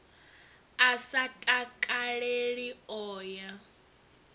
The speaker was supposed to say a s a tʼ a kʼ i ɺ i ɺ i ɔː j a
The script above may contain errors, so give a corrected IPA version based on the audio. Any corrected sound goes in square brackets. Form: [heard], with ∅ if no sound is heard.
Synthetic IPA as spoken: a s a tʼ a kʼ [a] ɺ [e] ɺ i ɔː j a